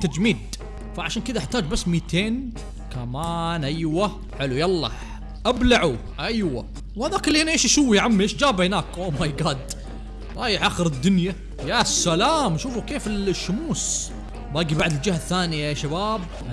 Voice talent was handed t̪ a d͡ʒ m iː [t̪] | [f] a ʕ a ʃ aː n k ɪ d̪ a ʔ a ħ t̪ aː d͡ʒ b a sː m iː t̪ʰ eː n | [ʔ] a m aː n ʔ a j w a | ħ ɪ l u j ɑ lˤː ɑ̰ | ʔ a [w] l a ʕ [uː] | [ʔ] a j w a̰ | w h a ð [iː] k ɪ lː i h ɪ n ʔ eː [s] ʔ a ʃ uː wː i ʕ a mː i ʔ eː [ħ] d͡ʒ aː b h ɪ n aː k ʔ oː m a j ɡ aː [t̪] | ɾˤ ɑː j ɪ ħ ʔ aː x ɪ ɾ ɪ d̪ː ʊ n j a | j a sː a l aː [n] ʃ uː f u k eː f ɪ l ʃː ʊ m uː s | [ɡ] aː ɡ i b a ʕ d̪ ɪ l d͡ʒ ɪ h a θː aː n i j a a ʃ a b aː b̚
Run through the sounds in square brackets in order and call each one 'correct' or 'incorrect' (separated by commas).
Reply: incorrect, correct, incorrect, incorrect, incorrect, correct, incorrect, incorrect, incorrect, incorrect, incorrect, incorrect